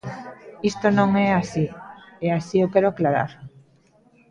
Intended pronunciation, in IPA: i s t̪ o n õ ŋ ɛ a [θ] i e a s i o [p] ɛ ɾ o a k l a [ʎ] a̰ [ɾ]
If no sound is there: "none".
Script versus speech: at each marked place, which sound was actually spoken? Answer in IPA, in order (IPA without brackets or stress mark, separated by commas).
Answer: s, k, ɾ, ɾ